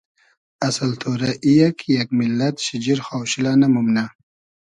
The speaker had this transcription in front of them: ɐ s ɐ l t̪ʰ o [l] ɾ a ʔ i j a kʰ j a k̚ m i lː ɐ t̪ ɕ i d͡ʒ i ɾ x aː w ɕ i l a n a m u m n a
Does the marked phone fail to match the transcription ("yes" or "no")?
yes